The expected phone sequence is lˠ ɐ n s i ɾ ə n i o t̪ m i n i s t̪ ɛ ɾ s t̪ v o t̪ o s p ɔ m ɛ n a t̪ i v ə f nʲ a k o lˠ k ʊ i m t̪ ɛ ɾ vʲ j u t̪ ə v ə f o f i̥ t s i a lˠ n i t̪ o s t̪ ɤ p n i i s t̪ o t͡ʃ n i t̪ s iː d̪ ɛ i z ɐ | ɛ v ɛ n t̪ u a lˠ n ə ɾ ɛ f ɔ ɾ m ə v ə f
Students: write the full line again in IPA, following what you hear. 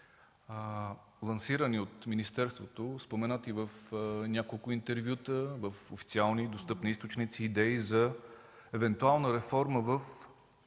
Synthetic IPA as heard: lˠ ɐ n s i ɾ ə n i o t̪ m i n i s t̪ ɛ ɾ s t̪ v o t̪ o s p o m ɛ n a t̪ i v ə f nʲ a k o lˠ k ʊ i n t̪ ɛ ɾ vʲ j u t̪ ə v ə f o f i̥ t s i a lˠ n i d̪ o s t̪ ɤ p n i i s t̪ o t͡ʃ n i t̪ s iː d̪ ɛ i z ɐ | ɛ v ɛ n t̪ u a lˠ n ə ɾ ɛ f ɔ ɾ m ə v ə f